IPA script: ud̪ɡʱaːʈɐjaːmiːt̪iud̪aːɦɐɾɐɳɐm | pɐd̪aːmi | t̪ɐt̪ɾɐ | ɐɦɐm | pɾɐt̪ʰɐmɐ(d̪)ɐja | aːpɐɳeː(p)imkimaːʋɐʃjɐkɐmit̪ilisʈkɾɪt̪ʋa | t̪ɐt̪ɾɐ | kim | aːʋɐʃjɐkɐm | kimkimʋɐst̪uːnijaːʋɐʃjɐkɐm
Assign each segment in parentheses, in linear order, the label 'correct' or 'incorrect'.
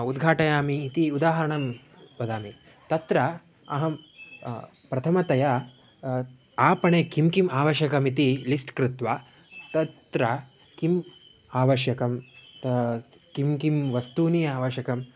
incorrect: t̪, incorrect: k

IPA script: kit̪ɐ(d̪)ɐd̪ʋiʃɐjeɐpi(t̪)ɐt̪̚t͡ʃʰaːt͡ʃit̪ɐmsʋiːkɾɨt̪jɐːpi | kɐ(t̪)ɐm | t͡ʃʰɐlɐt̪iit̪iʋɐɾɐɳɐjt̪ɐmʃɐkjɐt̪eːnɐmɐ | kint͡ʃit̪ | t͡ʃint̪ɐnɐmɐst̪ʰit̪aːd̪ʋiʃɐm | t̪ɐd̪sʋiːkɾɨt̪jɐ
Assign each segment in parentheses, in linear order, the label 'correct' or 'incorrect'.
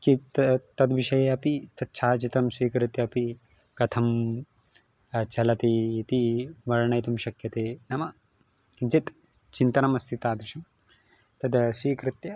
incorrect: t̪, correct, incorrect: t̪ʰ

